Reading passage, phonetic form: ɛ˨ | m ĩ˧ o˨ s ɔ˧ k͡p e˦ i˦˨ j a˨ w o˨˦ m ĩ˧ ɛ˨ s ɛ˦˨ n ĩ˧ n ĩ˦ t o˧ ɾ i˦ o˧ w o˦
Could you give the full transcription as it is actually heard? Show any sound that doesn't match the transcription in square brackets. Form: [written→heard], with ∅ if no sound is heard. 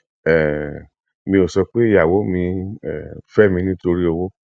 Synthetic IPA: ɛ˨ | m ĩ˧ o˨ s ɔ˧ k͡p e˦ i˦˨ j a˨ w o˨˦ m ĩ˧ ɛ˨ [s→f] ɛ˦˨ [n→m] ĩ˧ n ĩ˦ t o˧ ɾ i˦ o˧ w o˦